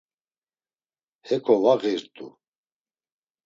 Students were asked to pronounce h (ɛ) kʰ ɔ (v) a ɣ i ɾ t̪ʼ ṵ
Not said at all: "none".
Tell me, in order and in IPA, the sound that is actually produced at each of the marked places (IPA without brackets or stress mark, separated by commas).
ɛ, v